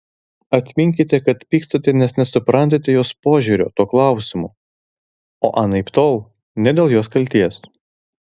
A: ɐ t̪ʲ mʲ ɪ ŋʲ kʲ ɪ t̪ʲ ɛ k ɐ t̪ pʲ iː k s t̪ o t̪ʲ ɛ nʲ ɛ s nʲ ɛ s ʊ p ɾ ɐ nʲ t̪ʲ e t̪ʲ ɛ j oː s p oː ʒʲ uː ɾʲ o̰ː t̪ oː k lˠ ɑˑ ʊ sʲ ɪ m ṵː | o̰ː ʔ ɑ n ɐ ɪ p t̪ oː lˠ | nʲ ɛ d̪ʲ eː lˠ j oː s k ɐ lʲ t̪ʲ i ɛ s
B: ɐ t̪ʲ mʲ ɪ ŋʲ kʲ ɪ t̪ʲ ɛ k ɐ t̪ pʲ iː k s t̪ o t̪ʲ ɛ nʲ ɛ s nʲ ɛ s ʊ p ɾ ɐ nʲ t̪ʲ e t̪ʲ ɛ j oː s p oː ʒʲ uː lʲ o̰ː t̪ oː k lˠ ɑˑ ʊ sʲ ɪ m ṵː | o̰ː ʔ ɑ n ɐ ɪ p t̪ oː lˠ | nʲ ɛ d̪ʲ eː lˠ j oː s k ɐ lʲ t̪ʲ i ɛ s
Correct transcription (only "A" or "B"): A